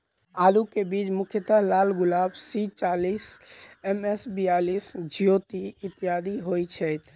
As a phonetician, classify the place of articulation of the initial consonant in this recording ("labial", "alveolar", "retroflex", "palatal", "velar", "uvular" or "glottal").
alveolar